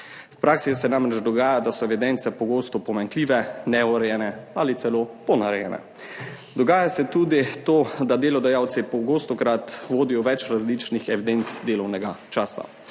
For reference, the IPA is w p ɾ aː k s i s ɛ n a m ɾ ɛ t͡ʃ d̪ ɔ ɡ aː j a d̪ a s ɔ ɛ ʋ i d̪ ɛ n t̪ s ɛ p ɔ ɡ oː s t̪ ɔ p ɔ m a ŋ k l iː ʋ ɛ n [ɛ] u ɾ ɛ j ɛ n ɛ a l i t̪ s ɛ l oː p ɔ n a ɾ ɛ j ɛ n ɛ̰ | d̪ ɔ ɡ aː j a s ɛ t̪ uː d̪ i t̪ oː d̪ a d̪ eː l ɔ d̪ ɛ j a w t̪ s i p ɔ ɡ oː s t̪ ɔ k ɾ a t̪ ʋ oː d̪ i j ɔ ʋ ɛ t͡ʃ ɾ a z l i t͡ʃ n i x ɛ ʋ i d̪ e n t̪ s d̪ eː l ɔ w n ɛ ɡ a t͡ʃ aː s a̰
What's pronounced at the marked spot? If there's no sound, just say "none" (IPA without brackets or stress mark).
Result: ɛ